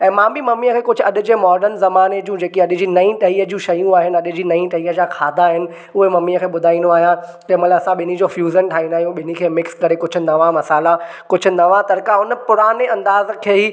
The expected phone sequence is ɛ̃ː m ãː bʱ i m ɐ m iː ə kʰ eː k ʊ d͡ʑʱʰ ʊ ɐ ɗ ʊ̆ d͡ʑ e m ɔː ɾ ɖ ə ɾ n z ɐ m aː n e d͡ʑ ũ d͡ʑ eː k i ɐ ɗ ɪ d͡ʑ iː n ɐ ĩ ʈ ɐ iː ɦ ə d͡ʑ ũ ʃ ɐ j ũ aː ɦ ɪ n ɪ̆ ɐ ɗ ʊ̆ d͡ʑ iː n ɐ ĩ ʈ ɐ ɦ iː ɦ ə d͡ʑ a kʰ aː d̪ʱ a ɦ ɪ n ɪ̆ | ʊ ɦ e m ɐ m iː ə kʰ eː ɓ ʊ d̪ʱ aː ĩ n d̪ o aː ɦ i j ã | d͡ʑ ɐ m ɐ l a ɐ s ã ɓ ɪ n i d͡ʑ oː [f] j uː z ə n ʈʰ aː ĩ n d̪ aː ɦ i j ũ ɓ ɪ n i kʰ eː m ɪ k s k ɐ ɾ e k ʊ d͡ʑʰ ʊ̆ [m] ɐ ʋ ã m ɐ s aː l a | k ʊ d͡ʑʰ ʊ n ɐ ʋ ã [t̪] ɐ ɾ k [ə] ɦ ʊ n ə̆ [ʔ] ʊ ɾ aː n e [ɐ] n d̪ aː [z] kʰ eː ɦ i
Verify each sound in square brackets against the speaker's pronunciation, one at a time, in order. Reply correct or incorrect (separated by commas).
correct, incorrect, correct, incorrect, incorrect, incorrect, correct